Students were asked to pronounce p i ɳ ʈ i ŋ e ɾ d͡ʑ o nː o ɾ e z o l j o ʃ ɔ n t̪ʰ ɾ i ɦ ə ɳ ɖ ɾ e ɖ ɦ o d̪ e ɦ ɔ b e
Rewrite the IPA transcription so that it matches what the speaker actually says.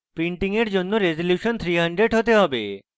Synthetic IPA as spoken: p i ɳ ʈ i ŋ e ɾ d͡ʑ o nː o ɾ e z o l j u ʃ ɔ n t̪ʰ ɾ i ɦ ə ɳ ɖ ɾ e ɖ ɦ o t̪ e ɦ ɔ b e

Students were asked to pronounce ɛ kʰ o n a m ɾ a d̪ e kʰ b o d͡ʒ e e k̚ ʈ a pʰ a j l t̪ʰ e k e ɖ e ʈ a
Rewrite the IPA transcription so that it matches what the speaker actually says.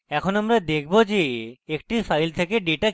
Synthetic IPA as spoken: ɛ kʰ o n a m ɾ a d̪ e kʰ b o d͡ʒ e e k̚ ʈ i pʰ a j l t̪ʰ e k e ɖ e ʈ a

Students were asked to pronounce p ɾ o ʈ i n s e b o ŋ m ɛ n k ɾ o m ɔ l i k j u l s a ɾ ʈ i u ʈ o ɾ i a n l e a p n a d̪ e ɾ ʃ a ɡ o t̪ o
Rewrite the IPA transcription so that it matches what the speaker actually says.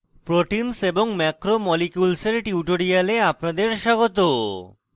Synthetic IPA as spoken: p ɾ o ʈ i n s e b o ŋ m ɛ k ɾ o m ɔ l i k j u l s e ɾ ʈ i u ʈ o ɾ i a l e a p n a d̪ e ɾ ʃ a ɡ o t̪ o

